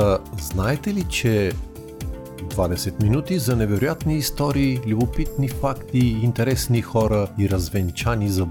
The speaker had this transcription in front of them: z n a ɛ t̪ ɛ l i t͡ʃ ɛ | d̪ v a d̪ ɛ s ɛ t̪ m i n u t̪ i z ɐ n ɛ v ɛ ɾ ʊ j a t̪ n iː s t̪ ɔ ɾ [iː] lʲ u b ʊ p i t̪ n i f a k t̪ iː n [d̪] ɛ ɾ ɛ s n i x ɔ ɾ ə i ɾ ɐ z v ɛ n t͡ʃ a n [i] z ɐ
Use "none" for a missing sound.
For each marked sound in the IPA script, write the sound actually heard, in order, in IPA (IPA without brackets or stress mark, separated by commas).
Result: iː, t̪, i